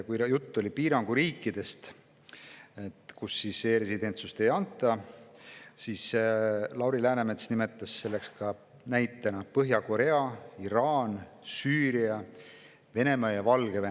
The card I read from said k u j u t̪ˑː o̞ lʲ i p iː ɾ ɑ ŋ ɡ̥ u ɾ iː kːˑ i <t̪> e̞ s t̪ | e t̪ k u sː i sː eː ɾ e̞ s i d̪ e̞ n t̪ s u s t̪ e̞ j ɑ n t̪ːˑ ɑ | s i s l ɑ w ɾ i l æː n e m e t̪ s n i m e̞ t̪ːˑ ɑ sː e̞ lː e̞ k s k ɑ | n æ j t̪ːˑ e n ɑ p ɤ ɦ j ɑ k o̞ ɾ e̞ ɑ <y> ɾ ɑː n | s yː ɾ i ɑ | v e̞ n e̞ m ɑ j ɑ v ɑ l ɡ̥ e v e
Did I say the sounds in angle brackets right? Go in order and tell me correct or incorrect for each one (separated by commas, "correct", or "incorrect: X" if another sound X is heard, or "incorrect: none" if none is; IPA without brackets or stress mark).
incorrect: d̪, incorrect: i